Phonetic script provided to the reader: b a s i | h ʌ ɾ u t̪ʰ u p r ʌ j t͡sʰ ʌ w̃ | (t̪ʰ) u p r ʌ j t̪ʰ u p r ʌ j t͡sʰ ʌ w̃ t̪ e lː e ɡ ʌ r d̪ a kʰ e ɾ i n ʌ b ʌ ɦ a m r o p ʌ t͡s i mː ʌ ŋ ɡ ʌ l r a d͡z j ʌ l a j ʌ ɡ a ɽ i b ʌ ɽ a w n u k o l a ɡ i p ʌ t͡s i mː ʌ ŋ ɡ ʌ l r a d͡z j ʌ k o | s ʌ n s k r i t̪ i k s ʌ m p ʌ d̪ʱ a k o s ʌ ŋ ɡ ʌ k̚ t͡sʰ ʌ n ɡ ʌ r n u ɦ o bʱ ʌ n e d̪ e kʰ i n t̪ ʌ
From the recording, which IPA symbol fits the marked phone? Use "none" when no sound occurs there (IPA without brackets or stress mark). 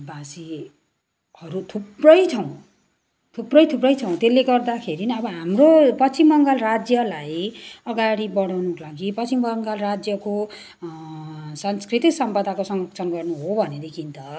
t̪ʰ